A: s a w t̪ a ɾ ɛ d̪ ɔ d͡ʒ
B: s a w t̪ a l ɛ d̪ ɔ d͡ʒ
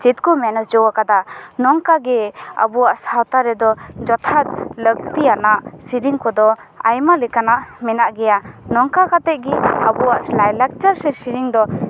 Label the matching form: A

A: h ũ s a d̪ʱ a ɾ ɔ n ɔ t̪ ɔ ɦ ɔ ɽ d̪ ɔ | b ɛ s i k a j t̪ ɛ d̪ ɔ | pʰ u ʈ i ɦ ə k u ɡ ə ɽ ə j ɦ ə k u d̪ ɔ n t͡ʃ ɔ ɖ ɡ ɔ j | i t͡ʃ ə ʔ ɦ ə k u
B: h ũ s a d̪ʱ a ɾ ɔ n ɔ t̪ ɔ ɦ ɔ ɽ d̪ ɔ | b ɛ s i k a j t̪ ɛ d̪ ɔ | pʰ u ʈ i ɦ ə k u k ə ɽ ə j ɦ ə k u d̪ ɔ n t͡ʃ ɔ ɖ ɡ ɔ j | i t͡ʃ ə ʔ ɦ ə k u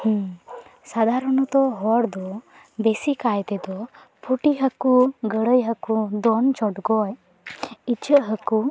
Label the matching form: A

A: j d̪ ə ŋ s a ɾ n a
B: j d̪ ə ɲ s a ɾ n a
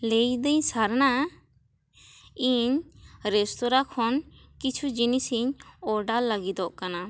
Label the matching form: B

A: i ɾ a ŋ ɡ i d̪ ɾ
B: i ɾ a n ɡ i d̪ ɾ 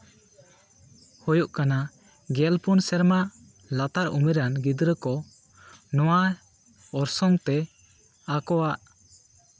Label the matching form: B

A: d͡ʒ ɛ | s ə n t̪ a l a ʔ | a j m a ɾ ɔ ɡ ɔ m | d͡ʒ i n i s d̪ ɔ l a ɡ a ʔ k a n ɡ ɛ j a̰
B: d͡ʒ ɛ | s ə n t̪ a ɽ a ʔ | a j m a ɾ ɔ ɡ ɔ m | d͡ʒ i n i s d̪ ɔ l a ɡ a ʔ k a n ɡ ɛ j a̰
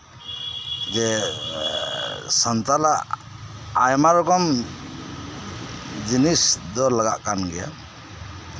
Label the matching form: A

